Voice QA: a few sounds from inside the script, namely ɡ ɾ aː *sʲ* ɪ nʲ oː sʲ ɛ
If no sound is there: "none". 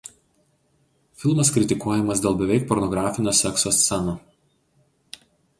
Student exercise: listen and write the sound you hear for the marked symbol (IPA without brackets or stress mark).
fʲ